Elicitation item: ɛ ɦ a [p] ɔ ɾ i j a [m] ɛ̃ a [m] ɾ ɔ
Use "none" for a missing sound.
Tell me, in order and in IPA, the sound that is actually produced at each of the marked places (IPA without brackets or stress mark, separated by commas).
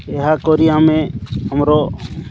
k, m, m